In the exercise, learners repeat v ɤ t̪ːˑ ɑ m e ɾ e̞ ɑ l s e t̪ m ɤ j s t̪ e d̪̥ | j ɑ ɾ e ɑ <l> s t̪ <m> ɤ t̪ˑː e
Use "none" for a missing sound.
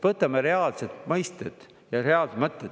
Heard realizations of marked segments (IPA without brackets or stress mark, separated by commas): l, m